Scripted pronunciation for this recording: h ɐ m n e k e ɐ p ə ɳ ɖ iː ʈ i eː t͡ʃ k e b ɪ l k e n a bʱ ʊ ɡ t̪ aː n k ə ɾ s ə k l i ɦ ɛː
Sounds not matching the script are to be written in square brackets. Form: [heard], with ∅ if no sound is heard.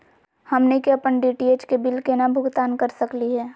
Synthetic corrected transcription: h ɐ m n e k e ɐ p ə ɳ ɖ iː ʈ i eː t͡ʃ k e b ɪ l k e n a bʱ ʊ ɡ t̪ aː n k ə ɾ s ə k l i ɦ ɛː